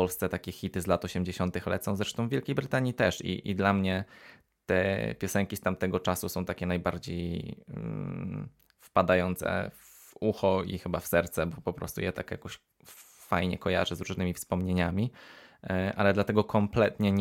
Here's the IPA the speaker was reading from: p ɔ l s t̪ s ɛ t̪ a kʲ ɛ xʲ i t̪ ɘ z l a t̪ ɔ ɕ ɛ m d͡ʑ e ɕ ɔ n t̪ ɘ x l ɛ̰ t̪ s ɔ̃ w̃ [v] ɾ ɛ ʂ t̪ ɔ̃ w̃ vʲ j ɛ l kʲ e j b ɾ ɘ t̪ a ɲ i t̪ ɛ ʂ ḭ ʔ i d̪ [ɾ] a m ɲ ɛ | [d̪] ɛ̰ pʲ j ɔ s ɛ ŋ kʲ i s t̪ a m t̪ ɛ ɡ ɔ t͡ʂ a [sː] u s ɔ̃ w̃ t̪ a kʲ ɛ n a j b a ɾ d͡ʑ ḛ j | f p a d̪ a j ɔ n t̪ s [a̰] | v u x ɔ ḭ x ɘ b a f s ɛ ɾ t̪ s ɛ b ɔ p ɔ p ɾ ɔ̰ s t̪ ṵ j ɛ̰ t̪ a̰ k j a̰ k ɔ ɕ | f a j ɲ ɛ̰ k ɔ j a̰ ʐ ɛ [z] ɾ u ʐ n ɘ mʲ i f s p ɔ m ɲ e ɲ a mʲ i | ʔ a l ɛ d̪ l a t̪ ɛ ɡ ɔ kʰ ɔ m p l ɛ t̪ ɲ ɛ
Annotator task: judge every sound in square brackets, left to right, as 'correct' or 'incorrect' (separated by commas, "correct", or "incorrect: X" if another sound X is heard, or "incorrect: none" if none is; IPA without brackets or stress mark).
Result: incorrect: z, incorrect: l, incorrect: t̪, incorrect: s, incorrect: ɛ̰, correct